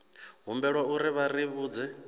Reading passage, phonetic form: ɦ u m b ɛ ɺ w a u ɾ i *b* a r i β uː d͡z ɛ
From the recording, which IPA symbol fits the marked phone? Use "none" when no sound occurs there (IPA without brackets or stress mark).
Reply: β